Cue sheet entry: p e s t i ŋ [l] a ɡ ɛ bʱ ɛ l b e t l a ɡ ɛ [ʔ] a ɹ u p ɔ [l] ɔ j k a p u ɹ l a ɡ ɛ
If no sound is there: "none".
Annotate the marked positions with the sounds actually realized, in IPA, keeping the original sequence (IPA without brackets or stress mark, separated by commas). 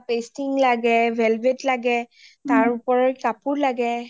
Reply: l, t, ɹ